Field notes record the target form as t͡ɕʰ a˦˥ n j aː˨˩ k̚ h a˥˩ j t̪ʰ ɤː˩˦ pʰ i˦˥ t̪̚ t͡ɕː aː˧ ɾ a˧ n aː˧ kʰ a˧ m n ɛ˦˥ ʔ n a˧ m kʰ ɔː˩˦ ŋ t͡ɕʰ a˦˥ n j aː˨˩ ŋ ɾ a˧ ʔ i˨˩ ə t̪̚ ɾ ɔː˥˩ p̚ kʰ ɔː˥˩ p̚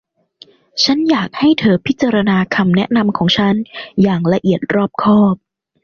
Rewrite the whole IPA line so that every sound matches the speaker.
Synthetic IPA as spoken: t͡ɕʰ a˦˥ n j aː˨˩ k̚ h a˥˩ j t̪ʰ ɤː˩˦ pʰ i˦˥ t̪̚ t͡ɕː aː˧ ɾ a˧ n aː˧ kʰ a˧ m n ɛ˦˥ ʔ n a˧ m kʰ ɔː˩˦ ŋ t͡ɕʰ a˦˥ n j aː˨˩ ŋ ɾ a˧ ʔ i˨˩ ə t̪̚ ɾ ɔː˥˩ p̚ kʰ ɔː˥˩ p̚